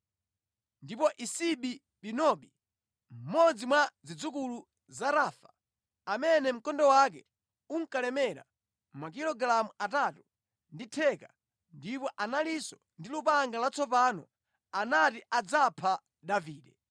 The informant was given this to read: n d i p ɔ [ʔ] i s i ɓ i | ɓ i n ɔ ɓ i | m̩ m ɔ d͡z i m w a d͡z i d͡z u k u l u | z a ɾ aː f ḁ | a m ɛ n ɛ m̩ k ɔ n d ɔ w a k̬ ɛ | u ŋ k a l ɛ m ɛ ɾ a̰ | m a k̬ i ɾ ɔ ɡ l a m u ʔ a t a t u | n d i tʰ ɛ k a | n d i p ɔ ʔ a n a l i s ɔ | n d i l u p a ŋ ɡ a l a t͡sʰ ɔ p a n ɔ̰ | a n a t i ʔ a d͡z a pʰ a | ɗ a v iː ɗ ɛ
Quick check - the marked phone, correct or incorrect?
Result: correct